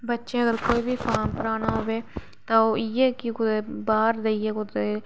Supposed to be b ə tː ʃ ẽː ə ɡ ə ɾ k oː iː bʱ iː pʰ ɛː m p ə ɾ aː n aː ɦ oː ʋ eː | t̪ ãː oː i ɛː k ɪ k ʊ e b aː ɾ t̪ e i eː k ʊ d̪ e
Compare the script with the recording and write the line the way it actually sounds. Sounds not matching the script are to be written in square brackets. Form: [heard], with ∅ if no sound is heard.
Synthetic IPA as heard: b ə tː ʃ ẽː ə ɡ ə ɾ k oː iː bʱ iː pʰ [aː] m p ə ɾ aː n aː ɦ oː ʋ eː | t̪ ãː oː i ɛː k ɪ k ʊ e b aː ɾ [d̪] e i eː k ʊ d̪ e

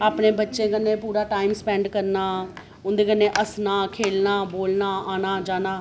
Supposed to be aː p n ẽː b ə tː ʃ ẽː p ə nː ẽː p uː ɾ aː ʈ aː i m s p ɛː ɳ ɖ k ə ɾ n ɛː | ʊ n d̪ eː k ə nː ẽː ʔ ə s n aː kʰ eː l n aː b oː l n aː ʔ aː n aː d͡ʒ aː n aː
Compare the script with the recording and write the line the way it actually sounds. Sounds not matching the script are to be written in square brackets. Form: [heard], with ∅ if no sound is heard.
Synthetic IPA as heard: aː p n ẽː b ə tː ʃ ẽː [k] ə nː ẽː p uː ɾ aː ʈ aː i m s p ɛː ɳ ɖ k ə ɾ n [aː] | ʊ n d̪ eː k ə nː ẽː ʔ ə s n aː kʰ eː l n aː b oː l n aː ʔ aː n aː d͡ʒ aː n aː

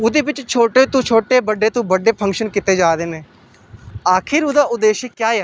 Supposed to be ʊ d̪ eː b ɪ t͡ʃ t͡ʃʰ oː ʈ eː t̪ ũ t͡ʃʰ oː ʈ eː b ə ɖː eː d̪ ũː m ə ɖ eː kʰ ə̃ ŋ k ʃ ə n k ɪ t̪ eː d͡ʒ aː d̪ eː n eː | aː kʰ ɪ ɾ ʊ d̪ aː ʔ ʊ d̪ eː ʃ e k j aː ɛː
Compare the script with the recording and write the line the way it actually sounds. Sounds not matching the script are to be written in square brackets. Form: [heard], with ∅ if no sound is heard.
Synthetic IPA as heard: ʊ d̪ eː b ɪ t͡ʃ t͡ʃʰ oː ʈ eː t̪ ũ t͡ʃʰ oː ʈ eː b ə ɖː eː [t̪] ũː [b] ə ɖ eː [pʰ] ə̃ ŋ k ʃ ə n k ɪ t̪ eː d͡ʒ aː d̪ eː n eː | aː kʰ ɪ ɾ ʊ d̪ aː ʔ ʊ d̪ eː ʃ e k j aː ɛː

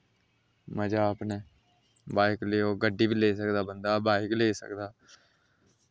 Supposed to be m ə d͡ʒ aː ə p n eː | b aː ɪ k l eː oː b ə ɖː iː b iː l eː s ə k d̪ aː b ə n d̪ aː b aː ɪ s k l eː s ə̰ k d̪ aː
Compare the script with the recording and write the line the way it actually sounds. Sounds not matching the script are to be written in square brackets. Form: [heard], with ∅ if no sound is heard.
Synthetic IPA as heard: m ə d͡ʒ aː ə p n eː | b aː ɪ k l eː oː [ɡ] ə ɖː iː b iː l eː s ə k d̪ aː b ə n d̪ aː b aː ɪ [∅] k l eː s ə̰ k d̪ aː

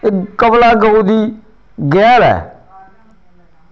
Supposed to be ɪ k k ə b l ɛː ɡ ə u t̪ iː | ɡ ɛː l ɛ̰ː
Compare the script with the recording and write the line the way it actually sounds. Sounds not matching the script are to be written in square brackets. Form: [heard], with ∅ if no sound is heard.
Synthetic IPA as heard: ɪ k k ə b l [aː] ɡ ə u [d̪] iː | ɡ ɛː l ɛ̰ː

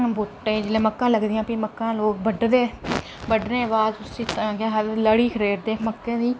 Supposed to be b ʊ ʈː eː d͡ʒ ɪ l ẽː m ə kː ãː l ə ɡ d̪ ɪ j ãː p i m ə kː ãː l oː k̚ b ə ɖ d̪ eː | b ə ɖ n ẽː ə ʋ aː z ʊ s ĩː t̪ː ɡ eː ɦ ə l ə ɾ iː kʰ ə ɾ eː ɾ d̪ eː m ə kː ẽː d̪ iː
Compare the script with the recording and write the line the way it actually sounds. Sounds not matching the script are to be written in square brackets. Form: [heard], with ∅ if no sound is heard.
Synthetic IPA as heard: b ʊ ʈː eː d͡ʒ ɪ l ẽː m ə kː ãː l ə ɡ d̪ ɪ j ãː p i m ə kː ãː l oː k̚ b ə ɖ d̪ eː | b ə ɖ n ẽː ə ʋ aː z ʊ s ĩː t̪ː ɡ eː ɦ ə l ə [ɽ] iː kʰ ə ɾ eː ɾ d̪ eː m ə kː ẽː d̪ iː

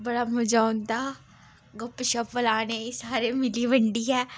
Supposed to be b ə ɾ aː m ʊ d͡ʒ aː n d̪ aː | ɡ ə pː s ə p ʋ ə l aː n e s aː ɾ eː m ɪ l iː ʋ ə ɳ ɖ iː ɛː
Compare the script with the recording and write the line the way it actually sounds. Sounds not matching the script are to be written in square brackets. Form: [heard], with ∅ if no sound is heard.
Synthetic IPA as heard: b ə [ɽ] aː m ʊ d͡ʒ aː n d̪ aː | ɡ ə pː [ʃ] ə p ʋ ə l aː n e s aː ɾ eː m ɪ l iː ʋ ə ɳ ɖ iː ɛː

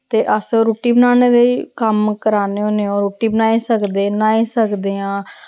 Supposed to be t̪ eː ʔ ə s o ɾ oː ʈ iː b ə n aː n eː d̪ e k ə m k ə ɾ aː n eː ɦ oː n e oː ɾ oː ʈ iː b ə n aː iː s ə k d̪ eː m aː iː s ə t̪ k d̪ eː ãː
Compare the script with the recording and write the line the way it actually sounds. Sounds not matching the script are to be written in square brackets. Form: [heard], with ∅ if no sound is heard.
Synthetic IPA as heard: t̪ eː ʔ ə s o ɾ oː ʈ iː b ə n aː n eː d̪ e k ə m k ə ɾ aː n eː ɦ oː n e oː ɾ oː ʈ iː b ə n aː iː s ə k d̪ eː [n] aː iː s ə [∅] k d̪ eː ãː

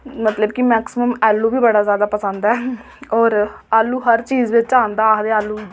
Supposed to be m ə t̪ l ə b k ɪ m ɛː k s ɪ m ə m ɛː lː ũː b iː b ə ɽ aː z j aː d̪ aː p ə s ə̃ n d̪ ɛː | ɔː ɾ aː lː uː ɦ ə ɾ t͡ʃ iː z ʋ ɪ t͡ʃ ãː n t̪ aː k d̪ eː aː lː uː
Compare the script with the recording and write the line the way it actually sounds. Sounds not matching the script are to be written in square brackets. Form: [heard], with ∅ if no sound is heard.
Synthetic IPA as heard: m ə t̪ l ə b k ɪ m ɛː k s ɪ m ə m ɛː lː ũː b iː b ə ɽ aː z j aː d̪ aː p ə s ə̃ n d̪ ɛː | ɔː ɾ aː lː uː ɦ ə ɾ t͡ʃ iː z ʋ ɪ t͡ʃ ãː n [d̪] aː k d̪ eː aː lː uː

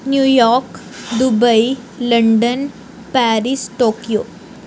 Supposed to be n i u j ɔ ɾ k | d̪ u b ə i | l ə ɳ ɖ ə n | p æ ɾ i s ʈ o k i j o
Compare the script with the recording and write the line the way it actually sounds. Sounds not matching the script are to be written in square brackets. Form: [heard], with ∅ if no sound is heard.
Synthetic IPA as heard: n [j] u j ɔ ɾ k | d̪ u b ə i | l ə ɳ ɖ ə n | p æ ɾ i s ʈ o k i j o

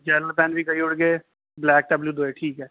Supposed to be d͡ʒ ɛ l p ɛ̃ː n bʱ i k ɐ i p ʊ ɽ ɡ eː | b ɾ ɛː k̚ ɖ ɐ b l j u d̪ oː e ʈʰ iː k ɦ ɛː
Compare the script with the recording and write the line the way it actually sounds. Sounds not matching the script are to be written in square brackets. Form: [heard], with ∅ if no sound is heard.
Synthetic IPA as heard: d͡ʒ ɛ l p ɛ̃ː n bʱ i k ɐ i [∅] ʊ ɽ ɡ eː | b [l] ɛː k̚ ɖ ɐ b l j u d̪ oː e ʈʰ iː k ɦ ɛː

